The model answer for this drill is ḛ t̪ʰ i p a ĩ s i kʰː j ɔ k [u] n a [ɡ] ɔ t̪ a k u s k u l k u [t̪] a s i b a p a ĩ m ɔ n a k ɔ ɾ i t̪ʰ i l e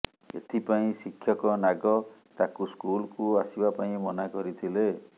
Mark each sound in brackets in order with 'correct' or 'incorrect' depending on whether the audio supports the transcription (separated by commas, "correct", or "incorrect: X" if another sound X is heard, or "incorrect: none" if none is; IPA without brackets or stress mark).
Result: incorrect: ɔ, correct, incorrect: none